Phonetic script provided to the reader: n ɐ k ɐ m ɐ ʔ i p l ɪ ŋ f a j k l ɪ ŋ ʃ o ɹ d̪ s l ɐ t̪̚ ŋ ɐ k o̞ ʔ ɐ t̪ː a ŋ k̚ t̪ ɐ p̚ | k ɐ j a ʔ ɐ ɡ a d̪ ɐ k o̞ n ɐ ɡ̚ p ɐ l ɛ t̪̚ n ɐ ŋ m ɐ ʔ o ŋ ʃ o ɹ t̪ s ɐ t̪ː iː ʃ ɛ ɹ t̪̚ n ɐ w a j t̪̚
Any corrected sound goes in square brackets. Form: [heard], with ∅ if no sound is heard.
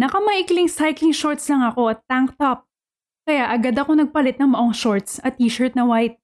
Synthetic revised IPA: n ɐ k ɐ m ɐ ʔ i [k] l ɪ ŋ [s] a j k l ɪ ŋ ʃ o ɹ [t̪] s l ɐ [∅] ŋ ɐ k o̞ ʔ ɐ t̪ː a ŋ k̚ t̪ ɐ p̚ | k ɐ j a ʔ ɐ ɡ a d̪ ɐ k o̞ n ɐ ɡ̚ p ɐ l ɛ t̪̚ n ɐ ŋ m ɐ ʔ o ŋ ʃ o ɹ t̪ s ɐ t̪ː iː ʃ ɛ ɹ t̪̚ n ɐ w a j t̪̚